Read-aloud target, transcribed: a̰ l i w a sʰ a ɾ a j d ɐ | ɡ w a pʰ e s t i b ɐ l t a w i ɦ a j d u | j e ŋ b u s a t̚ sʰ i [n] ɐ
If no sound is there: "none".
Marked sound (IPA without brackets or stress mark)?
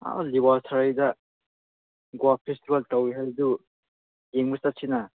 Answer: n